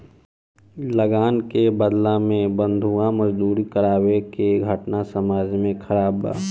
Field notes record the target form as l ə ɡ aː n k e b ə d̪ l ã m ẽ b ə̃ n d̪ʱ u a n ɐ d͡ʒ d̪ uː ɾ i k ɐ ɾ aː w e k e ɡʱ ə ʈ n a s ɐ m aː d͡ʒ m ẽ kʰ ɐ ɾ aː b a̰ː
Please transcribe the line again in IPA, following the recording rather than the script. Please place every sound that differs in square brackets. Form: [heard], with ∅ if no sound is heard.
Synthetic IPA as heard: l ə ɡ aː n k e b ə d̪ l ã m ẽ b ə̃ n d̪ʱ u a [m] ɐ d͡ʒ d̪ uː ɾ i k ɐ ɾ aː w e k e ɡʱ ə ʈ n a s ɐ m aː d͡ʒ m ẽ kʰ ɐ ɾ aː b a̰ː

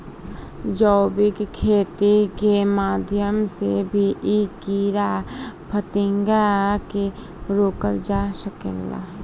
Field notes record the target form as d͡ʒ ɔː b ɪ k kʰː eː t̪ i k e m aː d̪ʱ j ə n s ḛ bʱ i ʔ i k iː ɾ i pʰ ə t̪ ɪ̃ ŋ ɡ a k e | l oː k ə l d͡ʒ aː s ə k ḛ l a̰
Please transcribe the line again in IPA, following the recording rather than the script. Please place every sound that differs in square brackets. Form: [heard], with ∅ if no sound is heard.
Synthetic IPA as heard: d͡ʒ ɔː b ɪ k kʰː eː t̪ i k e m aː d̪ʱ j ə [m] s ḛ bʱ i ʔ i k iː ɾ [a] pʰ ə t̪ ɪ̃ ŋ ɡ a k e | [ɾ] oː k ə l d͡ʒ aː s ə k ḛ l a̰

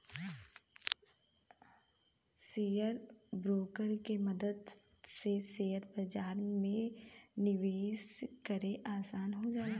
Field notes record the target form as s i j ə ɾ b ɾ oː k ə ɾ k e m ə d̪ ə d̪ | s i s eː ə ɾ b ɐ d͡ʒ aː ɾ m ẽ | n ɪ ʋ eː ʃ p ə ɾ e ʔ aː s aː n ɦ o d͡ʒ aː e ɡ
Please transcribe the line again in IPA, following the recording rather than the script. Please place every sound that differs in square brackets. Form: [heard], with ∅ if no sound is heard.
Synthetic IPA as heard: s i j ə ɾ b ɾ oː k ə ɾ k e m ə d̪ ə d̪ | s [e] s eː ə ɾ b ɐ d͡ʒ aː ɾ m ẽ | n ɪ ʋ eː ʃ [k] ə ɾ e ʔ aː s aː n ɦ o d͡ʒ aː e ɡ

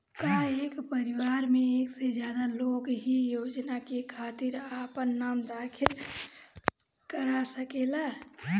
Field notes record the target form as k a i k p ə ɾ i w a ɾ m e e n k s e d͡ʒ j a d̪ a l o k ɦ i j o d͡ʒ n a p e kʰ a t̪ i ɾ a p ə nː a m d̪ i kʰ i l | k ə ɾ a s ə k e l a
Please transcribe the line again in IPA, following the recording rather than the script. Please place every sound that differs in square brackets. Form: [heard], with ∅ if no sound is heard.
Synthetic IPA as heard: k a [e] k p ə ɾ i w a ɾ m e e [∅] k s e d͡ʒ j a d̪ a l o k ɦ i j o d͡ʒ n a [k] e kʰ a t̪ i ɾ a p ə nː a m d̪ [a] kʰ i l | k ə ɾ a s ə k e l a

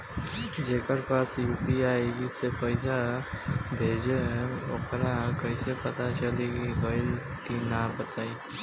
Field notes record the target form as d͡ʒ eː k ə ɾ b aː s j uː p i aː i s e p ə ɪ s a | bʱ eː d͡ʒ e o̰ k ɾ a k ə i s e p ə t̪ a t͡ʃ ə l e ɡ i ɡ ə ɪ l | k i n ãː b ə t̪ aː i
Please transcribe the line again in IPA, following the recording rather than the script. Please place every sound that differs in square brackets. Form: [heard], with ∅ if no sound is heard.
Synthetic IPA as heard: d͡ʒ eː k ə ɾ [p] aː s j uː p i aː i s e p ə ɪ s a | bʱ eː d͡ʒ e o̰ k ɾ a k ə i s e p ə t̪ a t͡ʃ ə l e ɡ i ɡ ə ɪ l | k i n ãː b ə t̪ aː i

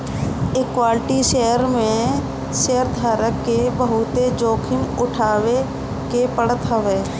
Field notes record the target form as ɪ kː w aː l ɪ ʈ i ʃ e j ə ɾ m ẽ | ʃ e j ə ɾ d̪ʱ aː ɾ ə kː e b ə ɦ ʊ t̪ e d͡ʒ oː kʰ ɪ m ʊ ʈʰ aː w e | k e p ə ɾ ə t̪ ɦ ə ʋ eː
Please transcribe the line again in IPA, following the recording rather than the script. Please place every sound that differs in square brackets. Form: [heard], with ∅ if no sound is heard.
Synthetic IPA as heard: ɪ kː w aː l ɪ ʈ i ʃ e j ə ɾ m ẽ | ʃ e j ə ɾ d̪ʱ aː ɾ ə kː e b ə ɦ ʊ t̪ e d͡ʒ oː kʰ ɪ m ʊ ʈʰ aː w e | k e p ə [ɽ] ə t̪ ɦ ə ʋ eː

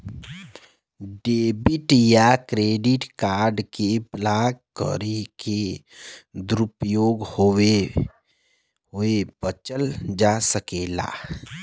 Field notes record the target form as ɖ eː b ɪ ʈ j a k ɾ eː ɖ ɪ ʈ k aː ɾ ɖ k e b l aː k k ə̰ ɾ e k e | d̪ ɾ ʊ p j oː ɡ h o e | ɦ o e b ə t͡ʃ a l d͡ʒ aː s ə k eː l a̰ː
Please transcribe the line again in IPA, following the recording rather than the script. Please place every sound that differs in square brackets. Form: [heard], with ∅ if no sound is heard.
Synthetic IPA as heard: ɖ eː b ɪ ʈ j a k ɾ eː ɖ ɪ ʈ k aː ɾ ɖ k e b l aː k k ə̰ ɾ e k e | d̪ ɾ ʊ p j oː ɡ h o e | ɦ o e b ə t͡ʃ [ə] l d͡ʒ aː s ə k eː l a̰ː

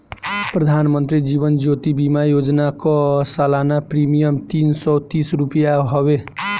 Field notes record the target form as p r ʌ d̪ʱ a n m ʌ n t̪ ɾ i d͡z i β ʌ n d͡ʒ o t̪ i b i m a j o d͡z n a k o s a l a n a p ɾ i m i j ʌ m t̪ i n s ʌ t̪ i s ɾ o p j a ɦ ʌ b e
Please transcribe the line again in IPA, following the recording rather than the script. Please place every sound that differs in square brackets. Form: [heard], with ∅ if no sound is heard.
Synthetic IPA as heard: p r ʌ d̪ʱ a n m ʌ n t̪ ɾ i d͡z i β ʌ n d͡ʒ o t̪ i b i m a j o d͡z n a k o s a l a n a p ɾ i m i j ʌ m t̪ i n s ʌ t̪ i s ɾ [u] p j a ɦ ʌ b e

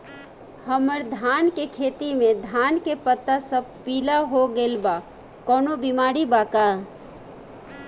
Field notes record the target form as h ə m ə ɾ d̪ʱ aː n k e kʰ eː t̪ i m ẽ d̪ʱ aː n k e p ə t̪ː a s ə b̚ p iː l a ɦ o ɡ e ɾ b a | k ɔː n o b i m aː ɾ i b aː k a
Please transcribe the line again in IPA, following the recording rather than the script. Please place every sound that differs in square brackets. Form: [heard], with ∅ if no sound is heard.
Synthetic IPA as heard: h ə m ə ɾ d̪ʱ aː n k e kʰ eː t̪ i m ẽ d̪ʱ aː n k e p ə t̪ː a s ə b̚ p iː l a ɦ o ɡ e [l] b a | k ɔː n o b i m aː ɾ i b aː k a

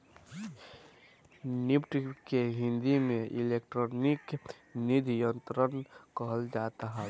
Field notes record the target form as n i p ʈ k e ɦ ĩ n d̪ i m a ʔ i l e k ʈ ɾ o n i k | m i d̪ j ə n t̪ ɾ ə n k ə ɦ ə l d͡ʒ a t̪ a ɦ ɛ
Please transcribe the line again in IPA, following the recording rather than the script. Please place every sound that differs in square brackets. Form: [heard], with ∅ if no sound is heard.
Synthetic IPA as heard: n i p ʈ k e ɦ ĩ n d̪ i m [e] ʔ i l e k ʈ ɾ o n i k | [n] i d̪ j ə n t̪ ɾ ə n k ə ɦ ə l d͡ʒ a t̪ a ɦ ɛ

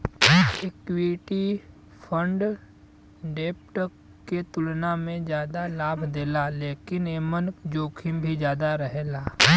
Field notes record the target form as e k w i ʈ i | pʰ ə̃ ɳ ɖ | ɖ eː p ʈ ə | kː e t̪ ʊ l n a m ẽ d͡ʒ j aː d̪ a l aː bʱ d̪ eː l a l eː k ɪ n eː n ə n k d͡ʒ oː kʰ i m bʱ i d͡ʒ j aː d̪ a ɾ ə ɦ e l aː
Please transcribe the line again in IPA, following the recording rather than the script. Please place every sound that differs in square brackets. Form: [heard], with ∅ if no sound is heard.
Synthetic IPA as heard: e k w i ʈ i | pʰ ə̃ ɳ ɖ | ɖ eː p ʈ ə | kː e t̪ ʊ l n a m ẽ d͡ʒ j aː d̪ a l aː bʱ d̪ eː l a l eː k ɪ n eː [m] ə n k d͡ʒ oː kʰ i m bʱ i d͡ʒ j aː d̪ a ɾ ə ɦ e l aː

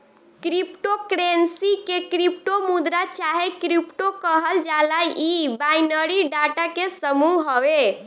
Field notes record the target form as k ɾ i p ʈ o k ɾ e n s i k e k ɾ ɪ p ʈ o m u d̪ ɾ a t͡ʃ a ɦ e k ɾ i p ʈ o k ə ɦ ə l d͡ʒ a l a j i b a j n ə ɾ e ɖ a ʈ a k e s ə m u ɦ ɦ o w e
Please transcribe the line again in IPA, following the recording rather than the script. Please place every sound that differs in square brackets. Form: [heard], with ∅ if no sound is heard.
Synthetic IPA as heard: k ɾ i p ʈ o k ɾ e n s i k e k ɾ [i] p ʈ o m u d̪ ɾ a t͡ʃ a ɦ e k ɾ i p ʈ o k ə ɦ ə l d͡ʒ a l a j i b a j n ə ɾ [i] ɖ a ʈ a k e s ə m u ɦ ɦ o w e

